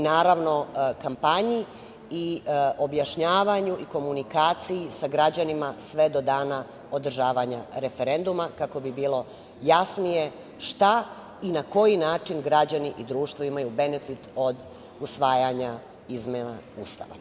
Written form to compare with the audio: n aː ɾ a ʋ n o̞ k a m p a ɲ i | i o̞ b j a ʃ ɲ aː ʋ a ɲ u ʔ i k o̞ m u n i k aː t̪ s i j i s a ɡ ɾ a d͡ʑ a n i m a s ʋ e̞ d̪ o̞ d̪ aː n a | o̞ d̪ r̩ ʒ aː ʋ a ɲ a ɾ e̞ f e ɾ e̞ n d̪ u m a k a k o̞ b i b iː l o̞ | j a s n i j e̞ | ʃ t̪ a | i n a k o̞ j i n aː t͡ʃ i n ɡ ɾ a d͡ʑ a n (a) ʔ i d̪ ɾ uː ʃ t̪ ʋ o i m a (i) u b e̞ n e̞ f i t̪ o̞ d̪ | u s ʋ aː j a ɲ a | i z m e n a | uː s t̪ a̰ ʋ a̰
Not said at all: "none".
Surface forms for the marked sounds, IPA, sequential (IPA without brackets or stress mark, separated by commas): i, j